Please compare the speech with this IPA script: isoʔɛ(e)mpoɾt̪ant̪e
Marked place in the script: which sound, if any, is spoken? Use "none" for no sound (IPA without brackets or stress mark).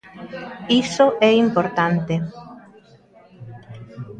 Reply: i